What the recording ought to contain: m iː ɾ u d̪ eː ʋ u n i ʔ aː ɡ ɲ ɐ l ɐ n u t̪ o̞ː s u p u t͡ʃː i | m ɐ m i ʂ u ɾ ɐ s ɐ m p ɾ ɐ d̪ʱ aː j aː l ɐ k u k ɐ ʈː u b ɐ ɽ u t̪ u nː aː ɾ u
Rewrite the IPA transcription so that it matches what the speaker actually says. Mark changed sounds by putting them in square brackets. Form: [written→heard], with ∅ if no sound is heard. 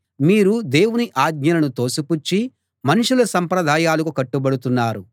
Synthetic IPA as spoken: m iː ɾ u d̪ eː [ʋ→w] u n i ʔ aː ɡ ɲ ɐ l ɐ n u t̪ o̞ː s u p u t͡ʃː i | m ɐ [m→n] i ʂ u [ɾ→l] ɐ s ɐ m p ɾ ɐ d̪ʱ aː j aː l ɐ k u k ɐ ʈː u b ɐ ɽ u t̪ u nː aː ɾ u